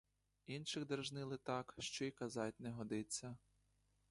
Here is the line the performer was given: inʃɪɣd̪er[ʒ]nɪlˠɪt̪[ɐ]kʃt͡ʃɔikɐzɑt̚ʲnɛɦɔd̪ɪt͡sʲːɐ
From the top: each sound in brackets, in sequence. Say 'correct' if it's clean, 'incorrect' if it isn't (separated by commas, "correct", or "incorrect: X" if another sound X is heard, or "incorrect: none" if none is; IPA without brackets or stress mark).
correct, incorrect: ɑ